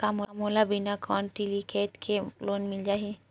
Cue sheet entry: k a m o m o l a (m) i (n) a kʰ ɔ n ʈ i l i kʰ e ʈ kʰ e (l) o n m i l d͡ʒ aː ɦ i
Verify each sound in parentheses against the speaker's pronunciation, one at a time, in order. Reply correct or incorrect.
incorrect, correct, correct

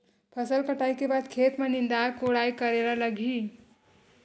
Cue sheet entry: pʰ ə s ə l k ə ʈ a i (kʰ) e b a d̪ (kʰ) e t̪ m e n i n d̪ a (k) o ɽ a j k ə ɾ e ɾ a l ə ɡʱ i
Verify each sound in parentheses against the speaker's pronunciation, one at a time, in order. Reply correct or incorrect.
incorrect, correct, correct

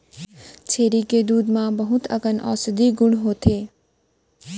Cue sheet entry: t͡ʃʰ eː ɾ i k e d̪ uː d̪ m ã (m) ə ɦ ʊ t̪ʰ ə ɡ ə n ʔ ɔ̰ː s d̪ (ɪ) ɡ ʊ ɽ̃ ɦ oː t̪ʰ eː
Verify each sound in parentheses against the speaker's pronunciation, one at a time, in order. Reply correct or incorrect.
incorrect, incorrect

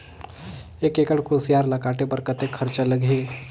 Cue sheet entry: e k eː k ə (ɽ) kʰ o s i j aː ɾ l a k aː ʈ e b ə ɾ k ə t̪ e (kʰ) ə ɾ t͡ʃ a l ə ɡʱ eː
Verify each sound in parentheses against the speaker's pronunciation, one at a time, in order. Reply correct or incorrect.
correct, correct

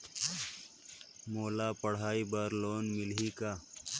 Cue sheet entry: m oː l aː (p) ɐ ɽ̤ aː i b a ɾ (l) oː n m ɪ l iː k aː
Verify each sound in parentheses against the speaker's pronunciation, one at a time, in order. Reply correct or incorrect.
correct, correct

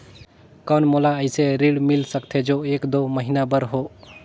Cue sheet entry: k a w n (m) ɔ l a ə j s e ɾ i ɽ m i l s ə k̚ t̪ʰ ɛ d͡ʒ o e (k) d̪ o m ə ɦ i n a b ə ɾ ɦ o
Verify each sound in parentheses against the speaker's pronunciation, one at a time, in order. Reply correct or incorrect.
correct, correct

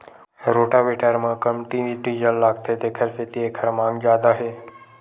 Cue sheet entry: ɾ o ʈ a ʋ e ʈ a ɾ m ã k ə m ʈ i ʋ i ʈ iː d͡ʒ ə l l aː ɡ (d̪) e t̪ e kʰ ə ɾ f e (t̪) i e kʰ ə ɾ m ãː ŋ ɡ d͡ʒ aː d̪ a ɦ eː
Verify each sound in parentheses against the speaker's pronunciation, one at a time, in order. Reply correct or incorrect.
incorrect, correct

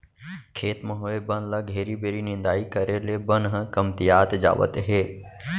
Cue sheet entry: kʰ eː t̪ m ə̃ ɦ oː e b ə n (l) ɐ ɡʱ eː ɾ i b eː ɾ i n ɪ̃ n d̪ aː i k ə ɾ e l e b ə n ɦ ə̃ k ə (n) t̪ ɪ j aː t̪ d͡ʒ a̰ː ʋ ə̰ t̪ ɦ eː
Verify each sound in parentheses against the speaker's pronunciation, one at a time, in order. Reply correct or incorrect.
correct, incorrect

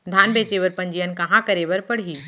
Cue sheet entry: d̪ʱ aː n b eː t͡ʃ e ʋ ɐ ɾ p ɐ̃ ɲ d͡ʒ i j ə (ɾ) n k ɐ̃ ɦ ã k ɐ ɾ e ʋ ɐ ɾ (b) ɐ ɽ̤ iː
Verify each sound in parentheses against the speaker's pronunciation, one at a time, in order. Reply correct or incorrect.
incorrect, incorrect

